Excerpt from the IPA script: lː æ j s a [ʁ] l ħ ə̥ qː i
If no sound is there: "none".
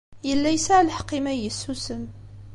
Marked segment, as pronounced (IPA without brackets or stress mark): ʕ